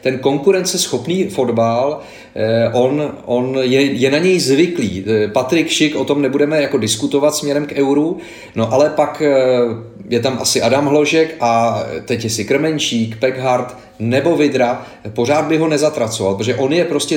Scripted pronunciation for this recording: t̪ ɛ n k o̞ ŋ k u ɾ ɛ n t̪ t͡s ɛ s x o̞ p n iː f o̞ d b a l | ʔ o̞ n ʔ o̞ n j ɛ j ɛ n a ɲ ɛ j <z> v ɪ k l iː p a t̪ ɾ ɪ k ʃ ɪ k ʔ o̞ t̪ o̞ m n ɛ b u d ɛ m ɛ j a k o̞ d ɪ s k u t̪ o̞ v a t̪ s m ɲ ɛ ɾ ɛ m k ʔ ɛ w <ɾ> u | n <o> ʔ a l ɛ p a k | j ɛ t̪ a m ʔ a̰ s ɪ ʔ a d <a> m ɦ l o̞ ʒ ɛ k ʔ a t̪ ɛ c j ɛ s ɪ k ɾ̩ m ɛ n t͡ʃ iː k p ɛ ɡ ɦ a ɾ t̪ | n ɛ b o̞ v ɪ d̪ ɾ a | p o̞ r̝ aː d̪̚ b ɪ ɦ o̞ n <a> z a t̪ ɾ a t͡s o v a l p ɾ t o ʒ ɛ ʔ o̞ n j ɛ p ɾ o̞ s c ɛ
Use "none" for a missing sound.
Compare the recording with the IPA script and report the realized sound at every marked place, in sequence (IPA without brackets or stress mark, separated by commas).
z, ɾ, o, a, ɛ